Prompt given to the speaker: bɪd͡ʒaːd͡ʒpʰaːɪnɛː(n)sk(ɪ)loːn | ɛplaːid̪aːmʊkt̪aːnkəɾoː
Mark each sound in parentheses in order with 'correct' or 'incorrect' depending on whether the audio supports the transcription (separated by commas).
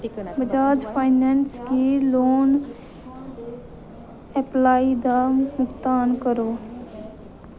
correct, incorrect